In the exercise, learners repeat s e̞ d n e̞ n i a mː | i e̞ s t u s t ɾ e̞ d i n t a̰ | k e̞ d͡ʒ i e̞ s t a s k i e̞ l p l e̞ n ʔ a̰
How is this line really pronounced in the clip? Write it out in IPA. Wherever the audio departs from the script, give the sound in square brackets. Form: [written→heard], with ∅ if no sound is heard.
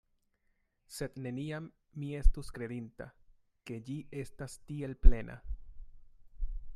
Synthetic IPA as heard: s e̞ d n e̞ n i a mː | i e̞ s t u s [t→k] ɾ e̞ d i n t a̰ | k e̞ d͡ʒ i e̞ s t a s [k→t] i e̞ l p l e̞ n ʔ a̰